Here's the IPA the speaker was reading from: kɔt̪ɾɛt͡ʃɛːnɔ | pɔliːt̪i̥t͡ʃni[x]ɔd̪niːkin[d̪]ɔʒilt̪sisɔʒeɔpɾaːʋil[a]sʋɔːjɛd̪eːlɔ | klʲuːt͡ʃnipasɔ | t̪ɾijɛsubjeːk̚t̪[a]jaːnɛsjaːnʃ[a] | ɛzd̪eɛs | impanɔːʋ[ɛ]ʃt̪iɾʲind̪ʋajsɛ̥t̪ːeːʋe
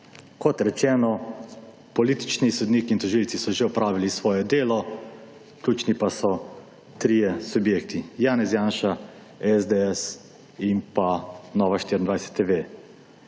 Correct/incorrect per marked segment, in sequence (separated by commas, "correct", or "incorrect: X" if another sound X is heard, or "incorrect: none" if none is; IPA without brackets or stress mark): incorrect: s, incorrect: t̪, incorrect: i, incorrect: i, correct, incorrect: a